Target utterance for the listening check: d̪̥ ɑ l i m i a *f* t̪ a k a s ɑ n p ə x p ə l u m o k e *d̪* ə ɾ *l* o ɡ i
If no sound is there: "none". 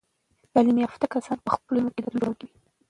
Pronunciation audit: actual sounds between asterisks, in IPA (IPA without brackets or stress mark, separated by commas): f, d̪, l